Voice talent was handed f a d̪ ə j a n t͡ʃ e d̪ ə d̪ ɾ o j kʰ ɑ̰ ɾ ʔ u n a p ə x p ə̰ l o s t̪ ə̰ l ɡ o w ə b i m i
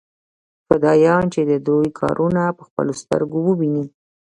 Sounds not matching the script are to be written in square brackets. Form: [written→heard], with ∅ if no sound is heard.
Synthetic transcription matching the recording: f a d̪ [ə→ɑ] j [a→ɑ] n t͡ʃ e d̪ ə d̪ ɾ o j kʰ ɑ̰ ɾ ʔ u n a p ə x p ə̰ l o s t̪ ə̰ [l→ɾ] ɡ o w ə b i [m→n] i